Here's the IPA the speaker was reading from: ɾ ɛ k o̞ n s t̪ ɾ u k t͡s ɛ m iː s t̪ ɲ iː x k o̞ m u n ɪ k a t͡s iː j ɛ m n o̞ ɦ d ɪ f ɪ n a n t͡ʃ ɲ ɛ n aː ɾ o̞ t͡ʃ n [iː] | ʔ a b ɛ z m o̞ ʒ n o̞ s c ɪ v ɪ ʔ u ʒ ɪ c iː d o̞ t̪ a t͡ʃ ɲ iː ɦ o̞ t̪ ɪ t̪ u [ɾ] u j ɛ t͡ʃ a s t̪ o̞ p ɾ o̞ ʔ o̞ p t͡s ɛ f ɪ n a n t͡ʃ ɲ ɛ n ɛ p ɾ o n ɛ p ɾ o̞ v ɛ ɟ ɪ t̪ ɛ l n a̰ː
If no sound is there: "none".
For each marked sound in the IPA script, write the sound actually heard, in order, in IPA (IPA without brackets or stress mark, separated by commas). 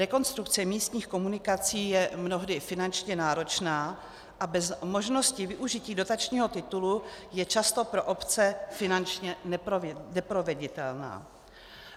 aː, l